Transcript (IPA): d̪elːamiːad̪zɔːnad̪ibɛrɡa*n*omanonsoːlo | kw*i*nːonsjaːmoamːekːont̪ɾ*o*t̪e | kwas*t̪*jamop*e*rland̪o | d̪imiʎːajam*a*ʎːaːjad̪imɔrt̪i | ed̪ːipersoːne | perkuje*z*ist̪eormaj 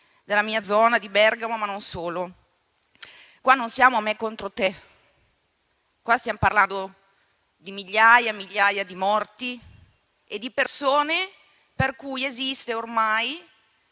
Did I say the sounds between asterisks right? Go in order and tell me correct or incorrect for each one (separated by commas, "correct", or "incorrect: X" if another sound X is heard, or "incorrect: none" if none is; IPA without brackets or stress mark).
incorrect: m, incorrect: a, correct, correct, incorrect: a, incorrect: i, correct